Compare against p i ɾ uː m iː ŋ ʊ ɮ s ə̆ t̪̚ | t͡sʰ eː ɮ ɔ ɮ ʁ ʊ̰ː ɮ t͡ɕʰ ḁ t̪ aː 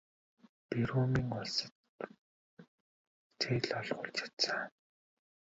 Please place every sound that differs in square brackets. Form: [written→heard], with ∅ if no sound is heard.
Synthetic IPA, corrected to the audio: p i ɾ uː m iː ŋ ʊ ɮ s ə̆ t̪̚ | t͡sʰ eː ɮ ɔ ɮ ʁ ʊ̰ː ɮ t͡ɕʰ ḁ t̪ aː